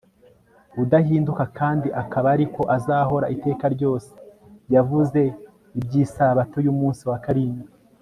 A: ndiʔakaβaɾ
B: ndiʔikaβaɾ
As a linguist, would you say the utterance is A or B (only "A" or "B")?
A